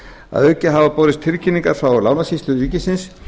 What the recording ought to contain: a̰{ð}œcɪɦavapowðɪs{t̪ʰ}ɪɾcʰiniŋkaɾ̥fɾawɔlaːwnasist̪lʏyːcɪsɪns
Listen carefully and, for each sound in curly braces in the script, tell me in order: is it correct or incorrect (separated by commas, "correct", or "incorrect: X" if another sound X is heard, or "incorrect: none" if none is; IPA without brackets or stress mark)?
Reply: correct, correct